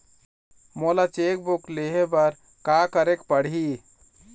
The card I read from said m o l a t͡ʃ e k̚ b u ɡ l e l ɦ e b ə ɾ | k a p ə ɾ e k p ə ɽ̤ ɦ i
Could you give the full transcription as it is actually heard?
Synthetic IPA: m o l a t͡ʃ e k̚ b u k l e ɦ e b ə ɾ | k a k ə ɾ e k p ə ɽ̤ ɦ i